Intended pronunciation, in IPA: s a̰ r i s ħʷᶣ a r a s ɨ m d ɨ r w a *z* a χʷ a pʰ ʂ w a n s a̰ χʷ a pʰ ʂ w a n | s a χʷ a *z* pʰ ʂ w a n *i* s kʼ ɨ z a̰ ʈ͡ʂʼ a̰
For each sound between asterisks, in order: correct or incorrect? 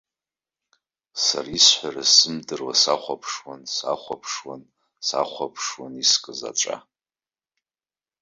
incorrect: s, incorrect: none, correct

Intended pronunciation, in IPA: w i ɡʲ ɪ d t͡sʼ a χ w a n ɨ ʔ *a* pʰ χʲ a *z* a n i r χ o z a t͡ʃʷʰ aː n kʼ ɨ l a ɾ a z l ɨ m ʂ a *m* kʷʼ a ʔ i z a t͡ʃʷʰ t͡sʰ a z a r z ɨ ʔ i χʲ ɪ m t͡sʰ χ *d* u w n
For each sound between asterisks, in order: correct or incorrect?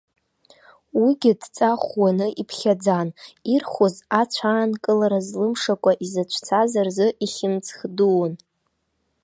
incorrect: i, incorrect: d͡z, incorrect: none, correct

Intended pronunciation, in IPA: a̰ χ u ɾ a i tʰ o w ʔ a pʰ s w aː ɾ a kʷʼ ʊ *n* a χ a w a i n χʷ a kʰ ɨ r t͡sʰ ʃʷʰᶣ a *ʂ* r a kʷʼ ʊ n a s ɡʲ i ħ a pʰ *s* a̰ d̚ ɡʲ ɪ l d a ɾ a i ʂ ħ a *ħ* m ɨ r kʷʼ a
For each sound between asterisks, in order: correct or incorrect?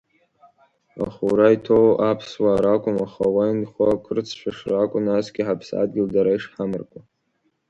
incorrect: m, correct, correct, incorrect: none

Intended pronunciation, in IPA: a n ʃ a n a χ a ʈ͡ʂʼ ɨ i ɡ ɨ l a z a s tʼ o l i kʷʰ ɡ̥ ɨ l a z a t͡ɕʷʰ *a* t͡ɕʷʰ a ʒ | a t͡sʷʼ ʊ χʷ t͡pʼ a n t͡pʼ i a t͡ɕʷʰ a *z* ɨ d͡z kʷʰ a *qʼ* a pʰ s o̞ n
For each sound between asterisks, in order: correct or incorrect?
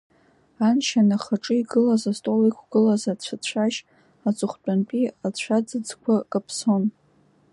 correct, incorrect: d͡z, incorrect: kʼ

